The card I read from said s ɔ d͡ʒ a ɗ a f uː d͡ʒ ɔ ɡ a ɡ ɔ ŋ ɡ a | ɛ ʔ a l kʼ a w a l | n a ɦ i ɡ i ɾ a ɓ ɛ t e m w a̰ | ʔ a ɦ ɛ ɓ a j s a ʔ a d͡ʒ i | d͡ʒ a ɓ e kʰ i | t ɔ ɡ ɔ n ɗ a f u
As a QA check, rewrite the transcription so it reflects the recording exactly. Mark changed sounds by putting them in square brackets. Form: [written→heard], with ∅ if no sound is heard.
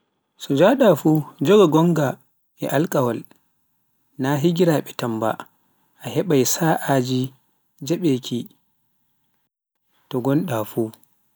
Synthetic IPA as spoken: s ɔ d͡ʒ a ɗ a f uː d͡ʒ ɔ ɡ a ɡ ɔ ŋ ɡ a | ɛ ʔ a l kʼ a w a l | n a ɦ i ɡ i ɾ a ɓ ɛ t [e→a] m [w→b] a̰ | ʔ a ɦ ɛ ɓ a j s a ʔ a d͡ʒ i | d͡ʒ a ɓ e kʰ i | t ɔ ɡ ɔ n ɗ a f u